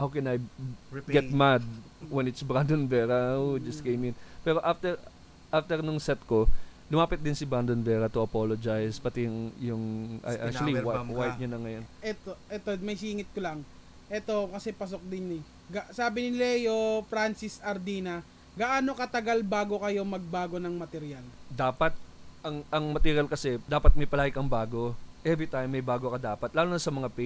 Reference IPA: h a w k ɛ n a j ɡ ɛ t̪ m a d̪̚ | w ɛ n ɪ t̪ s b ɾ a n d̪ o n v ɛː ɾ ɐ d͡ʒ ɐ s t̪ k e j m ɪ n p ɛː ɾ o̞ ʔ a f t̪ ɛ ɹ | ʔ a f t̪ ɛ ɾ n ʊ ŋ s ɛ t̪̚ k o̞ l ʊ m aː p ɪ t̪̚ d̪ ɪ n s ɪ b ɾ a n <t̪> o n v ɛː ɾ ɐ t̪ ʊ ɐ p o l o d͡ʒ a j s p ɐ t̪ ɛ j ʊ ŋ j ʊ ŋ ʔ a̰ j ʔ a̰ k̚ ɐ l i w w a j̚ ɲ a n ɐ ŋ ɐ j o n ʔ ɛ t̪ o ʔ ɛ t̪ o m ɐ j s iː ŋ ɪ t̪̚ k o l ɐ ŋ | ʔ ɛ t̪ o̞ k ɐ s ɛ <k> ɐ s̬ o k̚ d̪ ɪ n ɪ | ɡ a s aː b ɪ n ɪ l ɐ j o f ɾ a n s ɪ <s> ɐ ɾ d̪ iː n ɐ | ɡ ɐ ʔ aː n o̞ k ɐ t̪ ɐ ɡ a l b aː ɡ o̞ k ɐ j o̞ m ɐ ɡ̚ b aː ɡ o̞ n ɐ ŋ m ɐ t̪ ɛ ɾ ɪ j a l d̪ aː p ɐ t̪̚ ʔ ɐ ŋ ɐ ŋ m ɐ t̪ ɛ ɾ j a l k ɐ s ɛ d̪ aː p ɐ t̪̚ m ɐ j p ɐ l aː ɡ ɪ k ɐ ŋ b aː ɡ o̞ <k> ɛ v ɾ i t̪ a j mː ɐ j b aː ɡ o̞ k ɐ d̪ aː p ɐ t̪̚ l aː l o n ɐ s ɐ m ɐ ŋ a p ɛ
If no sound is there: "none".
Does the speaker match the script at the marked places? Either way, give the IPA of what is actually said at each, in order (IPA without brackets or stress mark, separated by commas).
d̪, p, s, ʔ